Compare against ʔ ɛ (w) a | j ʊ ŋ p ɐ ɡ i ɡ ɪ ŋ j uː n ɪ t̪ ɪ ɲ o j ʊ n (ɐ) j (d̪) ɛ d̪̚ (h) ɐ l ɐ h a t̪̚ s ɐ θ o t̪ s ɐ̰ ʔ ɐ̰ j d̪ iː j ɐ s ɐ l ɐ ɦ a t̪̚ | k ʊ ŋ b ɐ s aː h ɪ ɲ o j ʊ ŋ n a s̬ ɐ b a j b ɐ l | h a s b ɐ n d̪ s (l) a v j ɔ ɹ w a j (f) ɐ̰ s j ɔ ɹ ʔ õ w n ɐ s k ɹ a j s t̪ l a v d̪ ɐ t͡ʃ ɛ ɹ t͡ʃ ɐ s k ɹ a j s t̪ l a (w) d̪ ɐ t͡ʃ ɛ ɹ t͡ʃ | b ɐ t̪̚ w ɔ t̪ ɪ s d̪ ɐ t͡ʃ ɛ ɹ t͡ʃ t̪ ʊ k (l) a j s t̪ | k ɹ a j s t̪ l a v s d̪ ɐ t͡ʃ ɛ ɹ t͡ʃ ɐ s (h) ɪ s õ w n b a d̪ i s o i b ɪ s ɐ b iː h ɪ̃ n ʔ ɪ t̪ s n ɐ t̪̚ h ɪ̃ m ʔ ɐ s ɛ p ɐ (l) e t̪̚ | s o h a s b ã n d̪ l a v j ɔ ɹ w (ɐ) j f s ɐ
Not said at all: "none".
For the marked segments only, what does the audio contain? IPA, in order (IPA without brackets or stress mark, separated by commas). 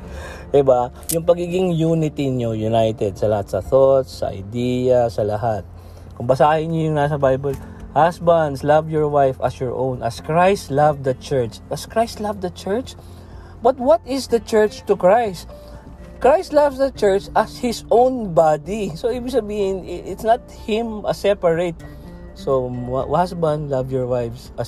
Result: b, a, t̪, s, l, f, v, ɹ, h, ɹ, a